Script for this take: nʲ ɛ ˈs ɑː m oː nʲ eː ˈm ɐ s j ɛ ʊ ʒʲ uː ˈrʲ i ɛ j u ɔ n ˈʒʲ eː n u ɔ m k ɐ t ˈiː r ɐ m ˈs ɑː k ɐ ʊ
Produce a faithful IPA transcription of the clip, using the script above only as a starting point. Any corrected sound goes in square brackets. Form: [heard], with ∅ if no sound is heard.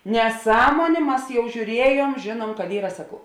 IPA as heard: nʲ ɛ ˈs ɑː m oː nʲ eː ˈm ɐ s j ɛ ʊ ʒʲ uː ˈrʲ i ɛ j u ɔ [m] ˈʒʲ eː n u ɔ m k ɐ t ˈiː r ɐ [∅] ˈs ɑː k ɐ ʊ